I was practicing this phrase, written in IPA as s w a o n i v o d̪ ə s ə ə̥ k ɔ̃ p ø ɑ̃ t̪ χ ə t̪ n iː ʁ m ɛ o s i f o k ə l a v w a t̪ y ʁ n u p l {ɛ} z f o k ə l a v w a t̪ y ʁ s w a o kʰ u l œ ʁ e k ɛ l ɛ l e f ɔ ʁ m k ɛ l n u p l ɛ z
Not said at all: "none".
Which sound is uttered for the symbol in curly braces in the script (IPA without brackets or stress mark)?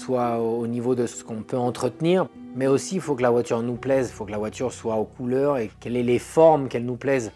ɛ